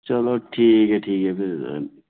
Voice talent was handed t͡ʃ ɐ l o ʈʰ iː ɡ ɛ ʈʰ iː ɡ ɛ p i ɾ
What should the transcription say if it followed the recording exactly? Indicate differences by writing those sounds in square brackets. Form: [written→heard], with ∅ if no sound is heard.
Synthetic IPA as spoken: t͡ʃ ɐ l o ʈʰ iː [ɡ→k] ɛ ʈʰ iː [ɡ→k] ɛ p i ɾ